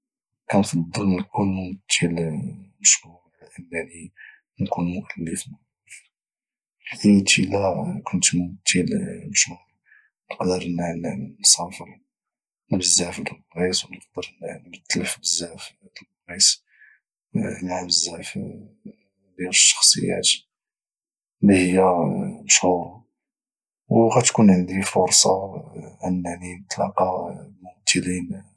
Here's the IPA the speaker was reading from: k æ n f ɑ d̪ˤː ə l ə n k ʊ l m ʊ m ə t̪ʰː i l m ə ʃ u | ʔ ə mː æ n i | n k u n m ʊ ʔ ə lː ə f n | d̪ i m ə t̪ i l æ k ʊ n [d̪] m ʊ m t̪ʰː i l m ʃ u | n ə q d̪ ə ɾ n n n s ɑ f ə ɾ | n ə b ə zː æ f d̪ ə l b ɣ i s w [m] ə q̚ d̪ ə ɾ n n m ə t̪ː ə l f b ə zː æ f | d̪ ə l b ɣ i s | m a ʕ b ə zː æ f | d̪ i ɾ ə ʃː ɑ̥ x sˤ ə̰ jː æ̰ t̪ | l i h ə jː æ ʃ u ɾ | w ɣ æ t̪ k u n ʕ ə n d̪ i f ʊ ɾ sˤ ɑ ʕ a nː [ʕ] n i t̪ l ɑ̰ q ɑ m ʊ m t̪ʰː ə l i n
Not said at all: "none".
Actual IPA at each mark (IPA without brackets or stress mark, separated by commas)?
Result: t̪, n, ʕ